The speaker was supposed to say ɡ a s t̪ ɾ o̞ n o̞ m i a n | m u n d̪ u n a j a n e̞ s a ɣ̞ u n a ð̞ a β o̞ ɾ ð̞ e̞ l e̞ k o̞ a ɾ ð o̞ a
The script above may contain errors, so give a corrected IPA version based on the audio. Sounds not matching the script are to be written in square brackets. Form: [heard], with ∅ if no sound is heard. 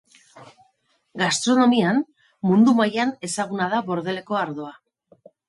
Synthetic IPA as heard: ɡ a s t̪ ɾ o̞ n o̞ m i a n | m u n d̪ u [m] a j a n e̞ s a ɣ̞ u n a ð̞ a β o̞ ɾ ð̞ e̞ l e̞ k o̞ a ɾ ð o̞ a